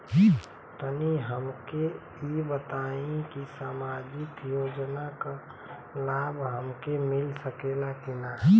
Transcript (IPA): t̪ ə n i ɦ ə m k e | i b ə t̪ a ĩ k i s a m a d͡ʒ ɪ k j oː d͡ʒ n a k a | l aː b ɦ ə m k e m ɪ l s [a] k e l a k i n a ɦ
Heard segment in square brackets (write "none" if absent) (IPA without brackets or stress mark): ə